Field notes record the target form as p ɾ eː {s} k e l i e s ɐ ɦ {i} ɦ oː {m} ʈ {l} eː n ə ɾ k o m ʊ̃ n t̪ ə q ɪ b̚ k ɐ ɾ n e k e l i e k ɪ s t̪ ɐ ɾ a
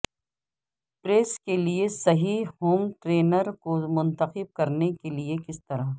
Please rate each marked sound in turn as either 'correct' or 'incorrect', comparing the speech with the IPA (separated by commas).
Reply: correct, correct, correct, incorrect